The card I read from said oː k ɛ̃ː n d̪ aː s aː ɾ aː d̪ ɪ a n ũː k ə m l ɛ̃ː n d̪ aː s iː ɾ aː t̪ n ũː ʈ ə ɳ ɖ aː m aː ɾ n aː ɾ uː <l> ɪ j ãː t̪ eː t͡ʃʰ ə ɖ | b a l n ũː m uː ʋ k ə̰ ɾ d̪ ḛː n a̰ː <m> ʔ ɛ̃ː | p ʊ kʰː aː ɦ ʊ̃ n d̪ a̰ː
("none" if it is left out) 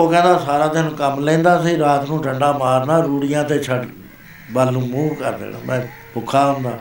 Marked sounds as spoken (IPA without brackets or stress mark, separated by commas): ɽ, m